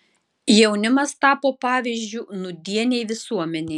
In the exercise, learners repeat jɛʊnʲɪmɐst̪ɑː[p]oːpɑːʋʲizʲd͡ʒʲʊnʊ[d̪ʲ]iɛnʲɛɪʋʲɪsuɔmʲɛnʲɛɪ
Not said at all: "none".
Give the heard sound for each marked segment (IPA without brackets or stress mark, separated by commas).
p, d̪ʲ